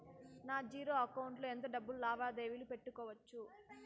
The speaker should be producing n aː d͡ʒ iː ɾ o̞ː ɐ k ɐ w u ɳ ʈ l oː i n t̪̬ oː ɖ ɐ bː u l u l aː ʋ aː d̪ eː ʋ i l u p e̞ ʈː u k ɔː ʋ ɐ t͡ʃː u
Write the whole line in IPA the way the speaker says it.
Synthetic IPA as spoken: n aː d͡ʒ iː ɾ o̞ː ɐ k ɐ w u ɳ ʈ l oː e n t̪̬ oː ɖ ɐ bː u l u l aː ʋ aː d̪ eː ʋ i l u p e̞ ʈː u k ɔː ʋ ɐ t͡ʃː u